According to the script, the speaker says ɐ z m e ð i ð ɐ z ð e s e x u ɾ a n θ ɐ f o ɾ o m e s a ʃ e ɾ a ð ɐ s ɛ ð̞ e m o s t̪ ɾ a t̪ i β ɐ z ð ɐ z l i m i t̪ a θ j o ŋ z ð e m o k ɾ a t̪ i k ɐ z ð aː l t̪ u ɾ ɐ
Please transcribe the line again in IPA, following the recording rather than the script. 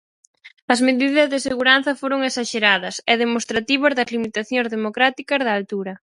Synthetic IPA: ɐ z m e ð i ð ɐ z ð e s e ɣ u ɾ a n θ ɐ f o ɾ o ŋ e s a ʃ e ɾ a ð ɐ s ɛ ð̞ e m o s t̪ ɾ a t̪ i β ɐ z ð ɐ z l i m i t̪ a θ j o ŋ z ð e m o k ɾ a t̪ i k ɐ z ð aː l t̪ u ɾ ɐ